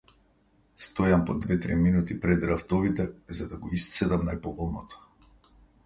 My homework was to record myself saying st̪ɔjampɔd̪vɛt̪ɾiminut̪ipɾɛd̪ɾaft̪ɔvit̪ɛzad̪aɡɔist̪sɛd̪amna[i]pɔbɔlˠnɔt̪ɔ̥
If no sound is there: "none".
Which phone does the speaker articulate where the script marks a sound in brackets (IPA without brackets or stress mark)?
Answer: j